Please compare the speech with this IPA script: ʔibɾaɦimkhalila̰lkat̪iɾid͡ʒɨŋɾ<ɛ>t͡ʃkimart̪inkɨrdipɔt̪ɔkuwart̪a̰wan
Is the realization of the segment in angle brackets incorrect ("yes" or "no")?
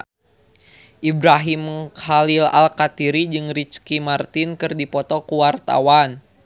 yes